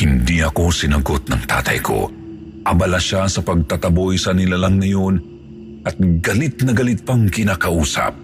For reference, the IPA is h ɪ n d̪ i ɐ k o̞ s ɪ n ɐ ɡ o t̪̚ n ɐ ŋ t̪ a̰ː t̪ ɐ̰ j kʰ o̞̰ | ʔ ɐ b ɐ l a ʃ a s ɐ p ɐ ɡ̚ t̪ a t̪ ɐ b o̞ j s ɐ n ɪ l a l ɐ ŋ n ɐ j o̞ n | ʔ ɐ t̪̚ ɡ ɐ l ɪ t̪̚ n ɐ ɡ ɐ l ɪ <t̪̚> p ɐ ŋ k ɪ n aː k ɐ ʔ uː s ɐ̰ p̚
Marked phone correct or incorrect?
correct